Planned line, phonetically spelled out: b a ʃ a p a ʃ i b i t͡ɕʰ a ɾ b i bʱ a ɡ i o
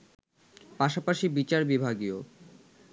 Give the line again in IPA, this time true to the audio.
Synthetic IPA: p a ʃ a p a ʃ i b i t͡ɕ a ɾ b i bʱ a ɡ i o